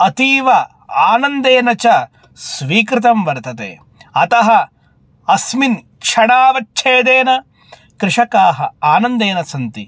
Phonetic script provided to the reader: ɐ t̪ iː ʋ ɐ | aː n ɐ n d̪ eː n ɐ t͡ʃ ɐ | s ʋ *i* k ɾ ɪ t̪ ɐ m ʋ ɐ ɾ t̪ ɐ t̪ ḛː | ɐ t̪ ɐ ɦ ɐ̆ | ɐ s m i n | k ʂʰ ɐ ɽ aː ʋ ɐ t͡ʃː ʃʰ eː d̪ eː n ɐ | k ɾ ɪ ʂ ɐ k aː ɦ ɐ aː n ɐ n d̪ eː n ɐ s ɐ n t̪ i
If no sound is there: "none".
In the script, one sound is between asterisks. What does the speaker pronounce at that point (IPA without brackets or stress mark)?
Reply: iː